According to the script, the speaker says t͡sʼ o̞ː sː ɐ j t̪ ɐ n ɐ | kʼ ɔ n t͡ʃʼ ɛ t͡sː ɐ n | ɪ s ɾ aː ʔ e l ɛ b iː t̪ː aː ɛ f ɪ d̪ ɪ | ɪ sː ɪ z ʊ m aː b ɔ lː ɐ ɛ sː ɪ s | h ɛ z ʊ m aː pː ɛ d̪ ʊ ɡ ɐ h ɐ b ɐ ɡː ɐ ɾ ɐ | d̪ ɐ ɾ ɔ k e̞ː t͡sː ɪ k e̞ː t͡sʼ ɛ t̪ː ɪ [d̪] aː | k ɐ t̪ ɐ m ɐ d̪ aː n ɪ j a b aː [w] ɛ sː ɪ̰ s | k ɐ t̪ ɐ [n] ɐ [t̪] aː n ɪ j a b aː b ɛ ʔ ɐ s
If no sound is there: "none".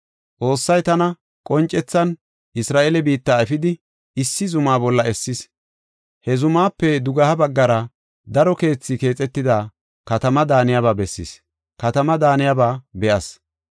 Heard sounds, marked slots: d̪, b, m, d̪

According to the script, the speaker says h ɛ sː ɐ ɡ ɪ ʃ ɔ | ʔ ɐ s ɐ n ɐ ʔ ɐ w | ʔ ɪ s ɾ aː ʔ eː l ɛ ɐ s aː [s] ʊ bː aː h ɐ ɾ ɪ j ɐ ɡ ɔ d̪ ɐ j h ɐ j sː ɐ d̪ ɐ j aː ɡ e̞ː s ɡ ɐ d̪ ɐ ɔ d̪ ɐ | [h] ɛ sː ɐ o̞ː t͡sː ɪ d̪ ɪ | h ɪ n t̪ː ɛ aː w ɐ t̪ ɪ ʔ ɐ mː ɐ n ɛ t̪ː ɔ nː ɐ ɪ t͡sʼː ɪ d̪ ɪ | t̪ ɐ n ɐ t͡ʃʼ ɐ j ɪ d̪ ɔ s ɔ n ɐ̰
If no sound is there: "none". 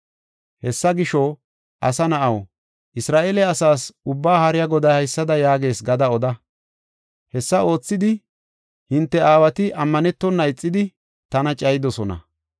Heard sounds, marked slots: s, h

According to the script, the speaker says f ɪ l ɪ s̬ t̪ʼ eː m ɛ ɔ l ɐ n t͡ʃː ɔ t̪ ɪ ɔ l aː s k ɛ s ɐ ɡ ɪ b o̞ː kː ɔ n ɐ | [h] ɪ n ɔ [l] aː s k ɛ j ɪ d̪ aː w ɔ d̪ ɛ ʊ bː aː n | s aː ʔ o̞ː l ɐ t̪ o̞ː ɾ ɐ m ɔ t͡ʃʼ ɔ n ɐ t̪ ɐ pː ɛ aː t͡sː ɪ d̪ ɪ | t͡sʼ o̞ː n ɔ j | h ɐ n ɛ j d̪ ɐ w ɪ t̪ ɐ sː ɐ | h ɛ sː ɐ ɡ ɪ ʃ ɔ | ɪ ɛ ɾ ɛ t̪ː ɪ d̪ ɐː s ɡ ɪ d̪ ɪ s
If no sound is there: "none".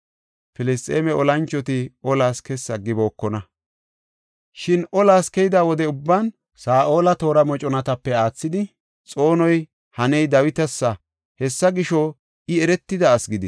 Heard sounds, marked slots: ʃ, l

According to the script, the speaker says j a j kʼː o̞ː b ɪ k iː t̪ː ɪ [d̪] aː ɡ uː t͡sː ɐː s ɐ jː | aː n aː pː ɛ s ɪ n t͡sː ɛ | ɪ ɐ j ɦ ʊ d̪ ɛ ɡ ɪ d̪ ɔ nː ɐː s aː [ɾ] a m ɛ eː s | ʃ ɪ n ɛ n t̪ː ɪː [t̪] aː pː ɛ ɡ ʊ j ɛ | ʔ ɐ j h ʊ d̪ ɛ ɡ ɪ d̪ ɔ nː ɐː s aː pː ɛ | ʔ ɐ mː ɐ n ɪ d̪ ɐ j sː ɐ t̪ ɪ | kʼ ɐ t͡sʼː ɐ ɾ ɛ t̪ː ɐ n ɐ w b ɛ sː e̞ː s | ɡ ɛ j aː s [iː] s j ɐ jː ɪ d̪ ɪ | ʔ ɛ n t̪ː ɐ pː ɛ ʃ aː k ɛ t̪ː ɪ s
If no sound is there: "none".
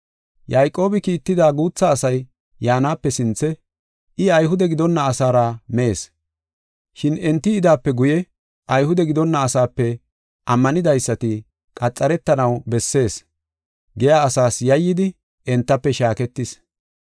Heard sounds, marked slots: d̪, ɾ, d̪, aː

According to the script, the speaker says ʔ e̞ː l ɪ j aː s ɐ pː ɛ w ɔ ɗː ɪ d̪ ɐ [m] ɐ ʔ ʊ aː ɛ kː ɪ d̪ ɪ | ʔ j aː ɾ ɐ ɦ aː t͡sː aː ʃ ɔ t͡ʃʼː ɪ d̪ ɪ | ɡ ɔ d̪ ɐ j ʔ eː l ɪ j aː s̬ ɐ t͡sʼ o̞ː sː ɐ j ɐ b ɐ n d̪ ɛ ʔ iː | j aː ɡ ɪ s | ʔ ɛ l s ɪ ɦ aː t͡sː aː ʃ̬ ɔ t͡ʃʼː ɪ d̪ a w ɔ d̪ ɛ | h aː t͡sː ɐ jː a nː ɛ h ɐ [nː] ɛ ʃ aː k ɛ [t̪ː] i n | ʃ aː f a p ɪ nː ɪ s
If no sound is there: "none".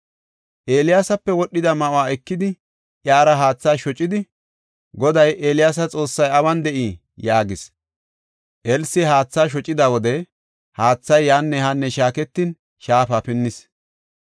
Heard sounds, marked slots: m, nː, t̪ː

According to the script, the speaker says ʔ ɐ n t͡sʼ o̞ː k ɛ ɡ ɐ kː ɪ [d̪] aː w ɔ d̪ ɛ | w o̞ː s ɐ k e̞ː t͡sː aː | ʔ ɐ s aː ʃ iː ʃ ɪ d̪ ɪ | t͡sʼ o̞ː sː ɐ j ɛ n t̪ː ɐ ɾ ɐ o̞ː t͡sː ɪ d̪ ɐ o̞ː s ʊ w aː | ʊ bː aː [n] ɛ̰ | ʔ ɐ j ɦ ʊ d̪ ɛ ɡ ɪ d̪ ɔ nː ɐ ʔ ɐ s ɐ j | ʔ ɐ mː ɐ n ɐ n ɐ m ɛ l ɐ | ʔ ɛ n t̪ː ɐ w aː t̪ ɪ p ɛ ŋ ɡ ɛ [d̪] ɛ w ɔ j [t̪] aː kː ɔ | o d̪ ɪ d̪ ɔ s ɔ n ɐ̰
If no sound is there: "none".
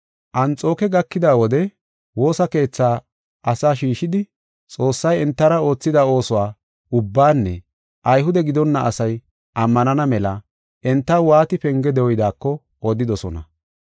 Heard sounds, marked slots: d̪, nː, d̪, d̪

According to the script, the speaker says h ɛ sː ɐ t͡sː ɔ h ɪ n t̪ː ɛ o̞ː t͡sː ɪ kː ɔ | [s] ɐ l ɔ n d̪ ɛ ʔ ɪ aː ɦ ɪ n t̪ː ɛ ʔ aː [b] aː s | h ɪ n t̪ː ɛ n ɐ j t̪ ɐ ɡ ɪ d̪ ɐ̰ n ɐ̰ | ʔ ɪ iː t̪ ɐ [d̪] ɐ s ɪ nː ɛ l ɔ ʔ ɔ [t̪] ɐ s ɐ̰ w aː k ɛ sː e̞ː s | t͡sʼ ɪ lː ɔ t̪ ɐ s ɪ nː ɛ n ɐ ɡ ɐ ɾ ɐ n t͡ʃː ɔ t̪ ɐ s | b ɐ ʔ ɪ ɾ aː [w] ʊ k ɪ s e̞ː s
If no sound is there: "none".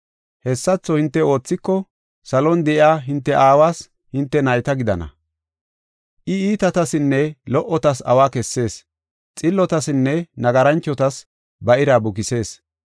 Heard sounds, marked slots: s, w, t̪, t̪, b

